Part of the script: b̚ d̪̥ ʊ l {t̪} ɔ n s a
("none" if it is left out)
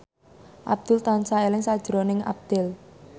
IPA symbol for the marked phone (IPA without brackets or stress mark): t̪